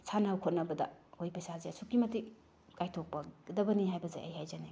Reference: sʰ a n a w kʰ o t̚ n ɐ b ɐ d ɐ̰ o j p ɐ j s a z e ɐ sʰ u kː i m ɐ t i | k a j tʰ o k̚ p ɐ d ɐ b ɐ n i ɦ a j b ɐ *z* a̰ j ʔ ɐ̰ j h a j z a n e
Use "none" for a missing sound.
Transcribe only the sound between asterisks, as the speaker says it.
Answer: z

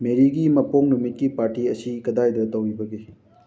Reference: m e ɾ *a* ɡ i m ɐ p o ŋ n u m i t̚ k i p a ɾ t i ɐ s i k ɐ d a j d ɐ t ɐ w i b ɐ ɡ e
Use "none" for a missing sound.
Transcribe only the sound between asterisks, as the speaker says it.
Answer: i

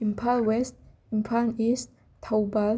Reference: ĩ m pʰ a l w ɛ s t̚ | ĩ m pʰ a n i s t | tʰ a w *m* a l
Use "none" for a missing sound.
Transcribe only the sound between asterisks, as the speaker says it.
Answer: b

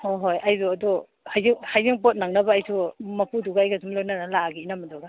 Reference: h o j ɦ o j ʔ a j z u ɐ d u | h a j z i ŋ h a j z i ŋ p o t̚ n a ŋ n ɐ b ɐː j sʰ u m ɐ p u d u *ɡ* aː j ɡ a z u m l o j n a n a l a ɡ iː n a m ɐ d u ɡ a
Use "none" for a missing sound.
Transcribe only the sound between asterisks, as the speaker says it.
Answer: ɡ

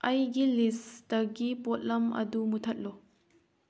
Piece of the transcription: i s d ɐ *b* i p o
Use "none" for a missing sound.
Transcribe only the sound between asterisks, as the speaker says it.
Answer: ɡ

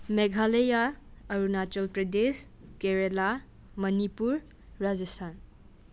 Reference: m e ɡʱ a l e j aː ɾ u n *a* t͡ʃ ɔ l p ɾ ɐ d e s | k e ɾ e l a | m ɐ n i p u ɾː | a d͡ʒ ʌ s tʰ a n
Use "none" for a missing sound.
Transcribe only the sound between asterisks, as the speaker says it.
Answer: a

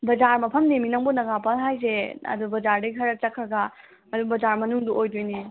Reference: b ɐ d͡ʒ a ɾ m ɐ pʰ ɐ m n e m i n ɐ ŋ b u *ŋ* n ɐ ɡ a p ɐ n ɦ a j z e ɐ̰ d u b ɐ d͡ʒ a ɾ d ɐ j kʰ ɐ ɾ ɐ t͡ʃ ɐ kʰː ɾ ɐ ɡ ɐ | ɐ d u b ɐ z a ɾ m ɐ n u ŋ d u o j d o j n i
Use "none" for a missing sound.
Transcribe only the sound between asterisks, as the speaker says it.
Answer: none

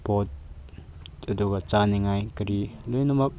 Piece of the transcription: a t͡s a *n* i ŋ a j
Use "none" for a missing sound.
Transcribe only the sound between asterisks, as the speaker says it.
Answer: n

